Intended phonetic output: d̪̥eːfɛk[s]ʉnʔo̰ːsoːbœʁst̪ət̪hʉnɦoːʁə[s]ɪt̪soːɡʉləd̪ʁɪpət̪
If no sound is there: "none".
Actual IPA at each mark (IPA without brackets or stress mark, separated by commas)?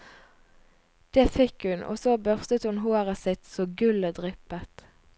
h, s